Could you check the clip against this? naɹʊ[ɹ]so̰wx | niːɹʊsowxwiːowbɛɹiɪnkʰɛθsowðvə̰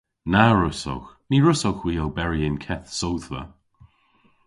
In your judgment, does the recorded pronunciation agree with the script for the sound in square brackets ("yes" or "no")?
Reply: no